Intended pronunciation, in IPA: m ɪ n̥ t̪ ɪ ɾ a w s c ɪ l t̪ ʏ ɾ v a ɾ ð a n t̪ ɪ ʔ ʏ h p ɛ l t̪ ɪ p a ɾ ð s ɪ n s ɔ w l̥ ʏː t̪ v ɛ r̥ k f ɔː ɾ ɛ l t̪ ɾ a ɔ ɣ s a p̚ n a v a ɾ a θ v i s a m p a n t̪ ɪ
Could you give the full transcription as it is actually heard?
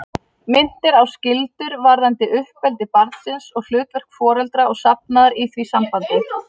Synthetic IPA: m ɪ n̥ t̪ ɪ ɾ a w s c ɪ l t̪ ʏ ɾ v a ɾ ð a n t̪ ɪ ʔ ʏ h p ɛ l t̪ ɪ p a ɾ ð s ɪ n s ɔ ɣ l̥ ʏː t̪ v ɛ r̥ k f ɔː ɾ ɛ l t̪ ɾ a ɔ ɣ s a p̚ n a ð a ɾ i θ v i s a m p a n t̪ ɪ